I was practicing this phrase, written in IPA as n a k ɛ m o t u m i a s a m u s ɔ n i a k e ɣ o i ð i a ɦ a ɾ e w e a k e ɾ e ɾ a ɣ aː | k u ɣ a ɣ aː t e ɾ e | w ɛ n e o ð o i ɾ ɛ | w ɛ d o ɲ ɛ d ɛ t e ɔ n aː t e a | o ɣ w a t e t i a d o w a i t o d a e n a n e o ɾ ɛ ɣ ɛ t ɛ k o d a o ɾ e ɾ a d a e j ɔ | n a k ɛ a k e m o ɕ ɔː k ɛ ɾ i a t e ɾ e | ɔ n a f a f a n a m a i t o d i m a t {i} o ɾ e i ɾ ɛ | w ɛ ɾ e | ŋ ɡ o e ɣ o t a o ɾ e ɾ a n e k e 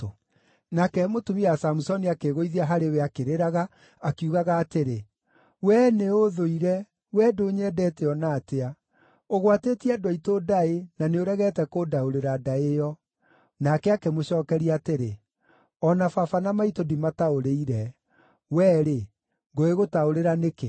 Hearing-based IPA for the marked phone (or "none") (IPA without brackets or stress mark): a